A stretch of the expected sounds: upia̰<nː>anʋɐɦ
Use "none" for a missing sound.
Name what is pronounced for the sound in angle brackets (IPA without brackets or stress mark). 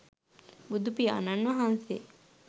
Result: n